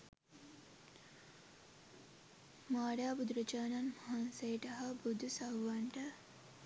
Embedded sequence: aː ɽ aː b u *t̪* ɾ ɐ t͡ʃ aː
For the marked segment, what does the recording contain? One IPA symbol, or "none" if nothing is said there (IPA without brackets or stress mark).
d̪